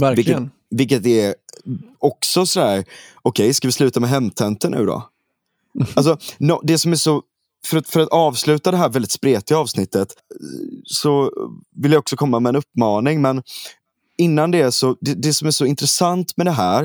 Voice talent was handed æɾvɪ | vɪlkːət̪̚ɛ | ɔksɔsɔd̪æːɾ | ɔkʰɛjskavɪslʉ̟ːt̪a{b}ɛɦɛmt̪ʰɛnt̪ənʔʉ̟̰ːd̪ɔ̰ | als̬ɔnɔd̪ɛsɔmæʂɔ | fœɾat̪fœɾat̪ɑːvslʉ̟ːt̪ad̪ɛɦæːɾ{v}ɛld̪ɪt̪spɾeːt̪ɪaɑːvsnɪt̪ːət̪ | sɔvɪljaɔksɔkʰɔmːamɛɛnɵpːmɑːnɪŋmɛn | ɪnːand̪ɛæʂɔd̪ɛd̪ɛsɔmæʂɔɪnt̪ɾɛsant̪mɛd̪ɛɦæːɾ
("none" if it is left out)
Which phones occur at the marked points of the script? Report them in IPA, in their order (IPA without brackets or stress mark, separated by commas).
m, v